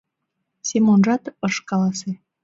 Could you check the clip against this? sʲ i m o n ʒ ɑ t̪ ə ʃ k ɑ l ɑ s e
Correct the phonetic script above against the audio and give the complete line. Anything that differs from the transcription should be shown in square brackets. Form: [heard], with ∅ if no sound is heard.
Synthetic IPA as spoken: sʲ [e] m o n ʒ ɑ t̪ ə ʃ k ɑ l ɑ s e